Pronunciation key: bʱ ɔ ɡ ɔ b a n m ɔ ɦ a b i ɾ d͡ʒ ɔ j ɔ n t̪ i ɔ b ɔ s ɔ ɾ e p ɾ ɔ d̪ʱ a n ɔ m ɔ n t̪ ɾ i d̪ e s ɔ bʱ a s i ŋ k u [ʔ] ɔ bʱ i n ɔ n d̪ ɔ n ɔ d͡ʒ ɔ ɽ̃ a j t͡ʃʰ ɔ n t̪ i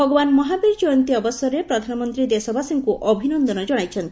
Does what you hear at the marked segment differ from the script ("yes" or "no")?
no